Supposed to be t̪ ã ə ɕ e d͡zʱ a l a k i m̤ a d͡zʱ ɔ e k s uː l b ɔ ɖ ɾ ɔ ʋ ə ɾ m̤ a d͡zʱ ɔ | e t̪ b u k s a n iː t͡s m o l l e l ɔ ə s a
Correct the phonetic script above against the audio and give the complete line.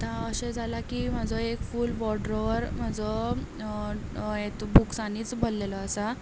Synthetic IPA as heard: t̪ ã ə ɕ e d͡zʱ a l a k i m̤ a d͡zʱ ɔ e k f uː l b ɔ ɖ ɾ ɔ ʋ ə ɾ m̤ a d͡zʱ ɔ | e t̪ b u k s a n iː t͡s b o l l e l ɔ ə s a

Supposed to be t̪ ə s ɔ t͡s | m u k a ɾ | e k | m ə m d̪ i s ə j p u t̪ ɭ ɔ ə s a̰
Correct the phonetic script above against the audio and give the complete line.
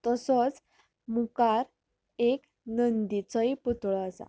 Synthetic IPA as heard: t̪ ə s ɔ t͡s | m u k a ɾ | e k | n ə n d̪ i t͡s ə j p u t̪ ɭ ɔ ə s a̰

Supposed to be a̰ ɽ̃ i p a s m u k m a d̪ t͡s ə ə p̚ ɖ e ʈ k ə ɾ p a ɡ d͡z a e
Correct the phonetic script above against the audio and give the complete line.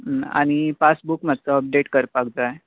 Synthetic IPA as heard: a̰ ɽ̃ i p a s b u k m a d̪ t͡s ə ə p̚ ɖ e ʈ k ə ɾ p a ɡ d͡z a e

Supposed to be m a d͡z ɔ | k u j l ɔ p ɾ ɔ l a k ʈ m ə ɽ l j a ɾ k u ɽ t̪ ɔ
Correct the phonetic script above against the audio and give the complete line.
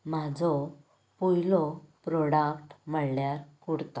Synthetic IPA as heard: m a d͡z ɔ | p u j l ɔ p ɾ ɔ ɽ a k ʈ m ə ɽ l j a ɾ k u ɽ t̪ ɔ

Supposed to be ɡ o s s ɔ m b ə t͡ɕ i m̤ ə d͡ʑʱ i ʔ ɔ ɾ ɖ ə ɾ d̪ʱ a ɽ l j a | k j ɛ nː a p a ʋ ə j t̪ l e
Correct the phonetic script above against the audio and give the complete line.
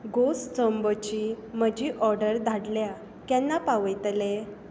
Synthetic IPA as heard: ɡ o s t͡s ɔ m b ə t͡ɕ i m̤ ə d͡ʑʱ i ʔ ɔ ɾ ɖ ə ɾ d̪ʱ a ɽ l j a | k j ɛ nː a p a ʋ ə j t̪ l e

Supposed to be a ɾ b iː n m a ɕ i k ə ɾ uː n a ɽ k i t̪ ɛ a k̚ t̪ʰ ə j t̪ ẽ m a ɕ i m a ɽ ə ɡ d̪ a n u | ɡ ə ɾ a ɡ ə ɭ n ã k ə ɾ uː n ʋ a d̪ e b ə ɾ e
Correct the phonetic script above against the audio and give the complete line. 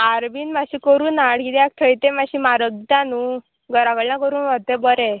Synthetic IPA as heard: a ɾ b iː n m a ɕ i k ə ɾ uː n a ɽ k i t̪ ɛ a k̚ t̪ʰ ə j t̪ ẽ m a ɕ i m a ɾ ə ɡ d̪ a n u | ɡ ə ɾ a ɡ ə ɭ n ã k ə ɾ uː n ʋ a t̪ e b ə ɾ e

